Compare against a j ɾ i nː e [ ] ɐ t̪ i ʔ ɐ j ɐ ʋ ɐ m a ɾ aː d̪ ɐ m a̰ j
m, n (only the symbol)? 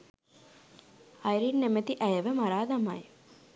m